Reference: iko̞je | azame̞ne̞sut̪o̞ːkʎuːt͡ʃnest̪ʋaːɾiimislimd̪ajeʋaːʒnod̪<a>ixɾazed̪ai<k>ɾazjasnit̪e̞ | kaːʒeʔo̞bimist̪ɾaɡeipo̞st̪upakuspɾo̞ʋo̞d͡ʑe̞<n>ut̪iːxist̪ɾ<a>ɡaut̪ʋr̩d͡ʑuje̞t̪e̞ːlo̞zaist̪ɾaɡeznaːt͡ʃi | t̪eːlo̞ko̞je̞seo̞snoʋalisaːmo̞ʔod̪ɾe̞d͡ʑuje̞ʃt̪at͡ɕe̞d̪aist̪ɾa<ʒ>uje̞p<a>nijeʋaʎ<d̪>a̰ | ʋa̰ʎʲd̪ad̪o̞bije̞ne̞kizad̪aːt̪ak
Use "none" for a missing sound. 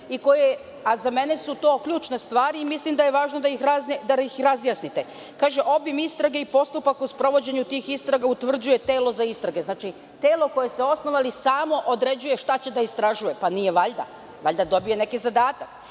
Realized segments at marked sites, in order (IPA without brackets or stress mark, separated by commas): a, x, ɲ, a, ʒ, a, d̪